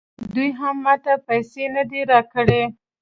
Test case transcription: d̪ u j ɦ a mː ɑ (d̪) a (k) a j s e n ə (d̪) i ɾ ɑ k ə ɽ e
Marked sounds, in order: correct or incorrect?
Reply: incorrect: t̪, incorrect: p, correct

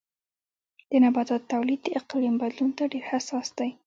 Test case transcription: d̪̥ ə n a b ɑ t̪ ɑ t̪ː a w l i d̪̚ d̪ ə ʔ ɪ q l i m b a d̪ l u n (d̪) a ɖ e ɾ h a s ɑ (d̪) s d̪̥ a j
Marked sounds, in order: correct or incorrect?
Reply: incorrect: t̪, incorrect: none

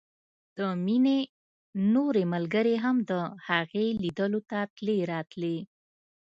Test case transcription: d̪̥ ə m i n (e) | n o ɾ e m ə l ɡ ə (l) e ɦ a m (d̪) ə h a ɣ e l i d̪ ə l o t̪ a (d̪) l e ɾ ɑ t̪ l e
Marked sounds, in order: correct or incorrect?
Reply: correct, incorrect: ɾ, correct, incorrect: t̪

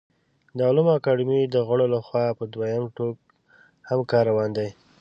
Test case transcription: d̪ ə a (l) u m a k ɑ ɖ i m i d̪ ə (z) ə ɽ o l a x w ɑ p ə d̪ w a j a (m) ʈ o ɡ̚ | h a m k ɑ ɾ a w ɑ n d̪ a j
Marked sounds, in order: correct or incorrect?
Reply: correct, incorrect: ɣ, correct

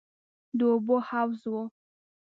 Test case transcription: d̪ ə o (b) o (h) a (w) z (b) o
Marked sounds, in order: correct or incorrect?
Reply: correct, correct, correct, incorrect: w

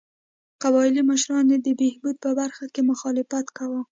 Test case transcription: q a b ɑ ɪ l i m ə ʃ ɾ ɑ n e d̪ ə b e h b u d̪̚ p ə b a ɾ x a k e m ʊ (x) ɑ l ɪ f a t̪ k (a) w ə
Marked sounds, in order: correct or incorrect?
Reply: correct, correct

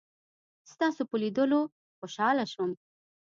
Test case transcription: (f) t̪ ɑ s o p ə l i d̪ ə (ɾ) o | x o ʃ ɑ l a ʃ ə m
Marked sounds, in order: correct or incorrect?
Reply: incorrect: s, incorrect: l

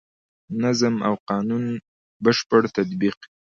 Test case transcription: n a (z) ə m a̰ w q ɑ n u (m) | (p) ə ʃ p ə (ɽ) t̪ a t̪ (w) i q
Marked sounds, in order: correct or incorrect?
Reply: correct, incorrect: n, incorrect: b, correct, incorrect: b

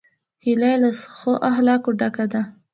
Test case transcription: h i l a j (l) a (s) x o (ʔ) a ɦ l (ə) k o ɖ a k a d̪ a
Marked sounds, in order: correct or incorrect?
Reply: correct, correct, correct, incorrect: ɑ

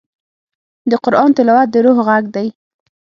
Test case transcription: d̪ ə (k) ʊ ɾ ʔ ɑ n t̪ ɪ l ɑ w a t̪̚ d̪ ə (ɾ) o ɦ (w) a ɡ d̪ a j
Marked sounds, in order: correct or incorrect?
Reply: incorrect: q, correct, incorrect: ɣ

